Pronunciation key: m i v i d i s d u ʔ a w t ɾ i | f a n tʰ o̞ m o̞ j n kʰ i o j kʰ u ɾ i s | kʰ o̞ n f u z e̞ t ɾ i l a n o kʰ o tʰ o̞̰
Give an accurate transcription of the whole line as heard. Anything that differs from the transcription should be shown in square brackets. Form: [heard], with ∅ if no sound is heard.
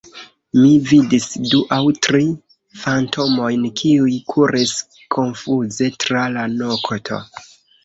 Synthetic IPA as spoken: m i v i d i s d u ʔ a w t ɾ i | f a n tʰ o̞ m o̞ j n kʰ i [u] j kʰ u ɾ i s | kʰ o̞ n f u z e̞ t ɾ [a] l a n o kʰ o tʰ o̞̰